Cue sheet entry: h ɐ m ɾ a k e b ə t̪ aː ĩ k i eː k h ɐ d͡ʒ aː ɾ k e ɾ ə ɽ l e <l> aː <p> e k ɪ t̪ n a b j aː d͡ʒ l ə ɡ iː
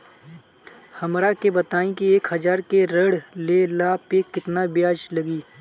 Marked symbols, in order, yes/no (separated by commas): yes, yes